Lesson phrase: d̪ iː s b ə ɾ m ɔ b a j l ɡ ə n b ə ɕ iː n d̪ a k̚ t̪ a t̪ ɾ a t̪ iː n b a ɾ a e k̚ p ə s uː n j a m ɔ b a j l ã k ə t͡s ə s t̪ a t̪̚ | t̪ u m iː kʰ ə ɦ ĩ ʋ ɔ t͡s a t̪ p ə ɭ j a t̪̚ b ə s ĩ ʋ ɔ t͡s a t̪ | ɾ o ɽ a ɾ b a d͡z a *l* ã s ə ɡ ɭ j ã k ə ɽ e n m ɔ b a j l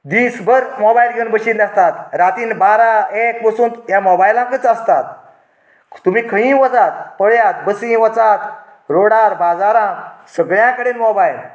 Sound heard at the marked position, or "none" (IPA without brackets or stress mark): ɾ